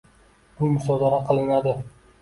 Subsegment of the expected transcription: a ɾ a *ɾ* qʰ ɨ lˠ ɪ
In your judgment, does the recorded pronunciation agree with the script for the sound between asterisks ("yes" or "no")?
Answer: no